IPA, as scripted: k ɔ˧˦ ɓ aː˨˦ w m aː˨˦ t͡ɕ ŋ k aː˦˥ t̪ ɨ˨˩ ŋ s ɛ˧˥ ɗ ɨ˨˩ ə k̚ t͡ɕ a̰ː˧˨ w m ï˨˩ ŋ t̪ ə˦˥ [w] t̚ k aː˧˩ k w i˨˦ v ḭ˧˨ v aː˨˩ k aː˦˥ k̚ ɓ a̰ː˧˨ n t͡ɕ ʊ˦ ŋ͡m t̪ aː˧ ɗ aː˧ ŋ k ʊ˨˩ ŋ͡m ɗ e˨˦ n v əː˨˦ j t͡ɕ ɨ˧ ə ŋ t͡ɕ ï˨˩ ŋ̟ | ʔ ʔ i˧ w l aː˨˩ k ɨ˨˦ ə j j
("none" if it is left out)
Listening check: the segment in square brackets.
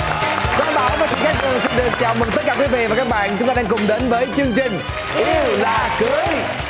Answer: none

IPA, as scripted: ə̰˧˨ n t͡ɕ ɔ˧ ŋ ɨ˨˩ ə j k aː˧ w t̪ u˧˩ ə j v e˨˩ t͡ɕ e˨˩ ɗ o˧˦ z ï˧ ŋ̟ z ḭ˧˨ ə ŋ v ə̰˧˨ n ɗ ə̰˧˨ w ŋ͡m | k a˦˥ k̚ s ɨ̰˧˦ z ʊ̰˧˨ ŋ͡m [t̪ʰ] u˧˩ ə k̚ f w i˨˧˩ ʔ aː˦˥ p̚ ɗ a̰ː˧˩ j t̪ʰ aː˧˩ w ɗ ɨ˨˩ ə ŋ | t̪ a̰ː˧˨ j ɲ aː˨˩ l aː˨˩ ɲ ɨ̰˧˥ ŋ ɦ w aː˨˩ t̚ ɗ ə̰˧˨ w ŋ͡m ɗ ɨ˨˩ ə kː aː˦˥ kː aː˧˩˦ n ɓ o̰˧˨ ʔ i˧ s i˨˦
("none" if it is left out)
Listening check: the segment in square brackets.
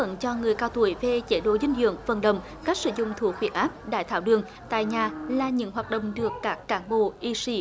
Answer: t̪ʰ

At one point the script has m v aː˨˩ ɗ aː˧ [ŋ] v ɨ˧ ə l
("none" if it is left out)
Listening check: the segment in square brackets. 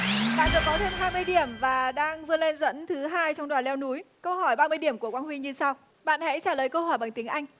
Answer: ŋ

